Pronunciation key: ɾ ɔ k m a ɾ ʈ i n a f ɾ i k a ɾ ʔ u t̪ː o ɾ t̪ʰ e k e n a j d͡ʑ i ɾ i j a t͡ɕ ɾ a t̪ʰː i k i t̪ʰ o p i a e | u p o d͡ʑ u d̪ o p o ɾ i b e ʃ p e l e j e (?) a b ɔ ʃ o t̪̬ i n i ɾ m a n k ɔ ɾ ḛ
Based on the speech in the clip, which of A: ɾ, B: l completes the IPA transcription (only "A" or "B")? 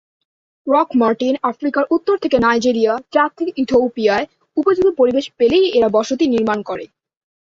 A